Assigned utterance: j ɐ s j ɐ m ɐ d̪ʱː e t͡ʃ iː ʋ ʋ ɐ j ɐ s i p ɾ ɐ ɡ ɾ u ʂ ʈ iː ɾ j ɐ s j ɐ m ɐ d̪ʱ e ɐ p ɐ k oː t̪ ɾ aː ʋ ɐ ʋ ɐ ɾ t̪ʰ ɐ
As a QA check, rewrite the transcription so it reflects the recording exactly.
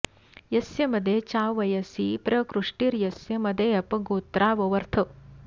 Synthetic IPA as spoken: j ɐ s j ɐ m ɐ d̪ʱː e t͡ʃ aː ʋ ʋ ɐ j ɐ s i p ɾ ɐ k ɾ u ʂ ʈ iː ɾ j ɐ s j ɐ m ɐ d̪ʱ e ɐ p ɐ ɡ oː t̪ ɾ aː ʋ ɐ ʋ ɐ ɾ t̪ʰ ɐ